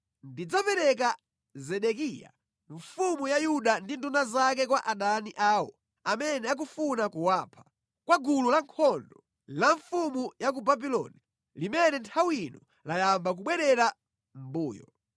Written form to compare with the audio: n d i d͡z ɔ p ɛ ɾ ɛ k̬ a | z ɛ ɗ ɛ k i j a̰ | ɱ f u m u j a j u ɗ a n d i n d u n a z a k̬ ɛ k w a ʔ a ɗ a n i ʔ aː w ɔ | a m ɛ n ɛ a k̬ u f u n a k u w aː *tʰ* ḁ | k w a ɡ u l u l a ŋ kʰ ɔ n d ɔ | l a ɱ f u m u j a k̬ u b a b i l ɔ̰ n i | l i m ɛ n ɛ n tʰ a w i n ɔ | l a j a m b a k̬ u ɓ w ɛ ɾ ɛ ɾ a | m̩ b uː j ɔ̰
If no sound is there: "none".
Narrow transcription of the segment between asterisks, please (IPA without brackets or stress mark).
pʰ